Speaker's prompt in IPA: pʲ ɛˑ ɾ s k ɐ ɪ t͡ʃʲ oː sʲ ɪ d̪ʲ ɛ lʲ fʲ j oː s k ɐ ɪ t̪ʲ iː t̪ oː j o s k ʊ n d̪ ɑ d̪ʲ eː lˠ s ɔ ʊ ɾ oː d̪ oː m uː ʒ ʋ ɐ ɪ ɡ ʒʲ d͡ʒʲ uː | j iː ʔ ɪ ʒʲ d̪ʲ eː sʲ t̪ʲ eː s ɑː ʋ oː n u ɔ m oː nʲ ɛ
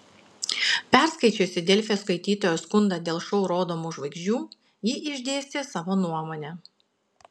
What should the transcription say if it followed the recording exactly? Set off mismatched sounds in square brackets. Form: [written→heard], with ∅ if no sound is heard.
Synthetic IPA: pʲ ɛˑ ɾ s k ɐ ɪ t͡ʃʲ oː sʲ ɪ d̪ʲ ɛ lʲ fʲ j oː s k ɐ ɪ t̪ʲ iː t̪ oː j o s k ʊ n d̪ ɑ d̪ʲ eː lˠ [s→ʃ] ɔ ʊ ɾ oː d̪ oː m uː ʒ ʋ ɐ ɪ ɡ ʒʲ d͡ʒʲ uː | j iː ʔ ɪ ʒʲ d̪ʲ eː sʲ t̪ʲ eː s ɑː ʋ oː n u ɔ m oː nʲ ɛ